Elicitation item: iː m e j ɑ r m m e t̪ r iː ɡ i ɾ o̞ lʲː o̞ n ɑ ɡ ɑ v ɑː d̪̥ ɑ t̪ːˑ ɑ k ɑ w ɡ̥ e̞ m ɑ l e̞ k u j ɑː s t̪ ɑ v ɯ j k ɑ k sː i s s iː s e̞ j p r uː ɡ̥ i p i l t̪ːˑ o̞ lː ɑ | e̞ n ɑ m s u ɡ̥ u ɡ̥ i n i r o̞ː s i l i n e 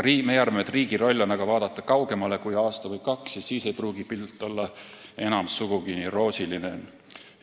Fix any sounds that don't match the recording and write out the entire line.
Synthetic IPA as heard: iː m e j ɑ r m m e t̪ r iː ɡ i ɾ o̞ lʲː o̞ n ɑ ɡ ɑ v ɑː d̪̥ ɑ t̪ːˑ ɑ k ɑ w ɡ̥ e̞ m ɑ l e̞ k u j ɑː s t̪ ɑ v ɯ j k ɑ k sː i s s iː s e̞ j p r uː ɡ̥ i p i l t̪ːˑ o̞ lː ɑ | e̞ n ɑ m s u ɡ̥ u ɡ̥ i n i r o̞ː s i l i n e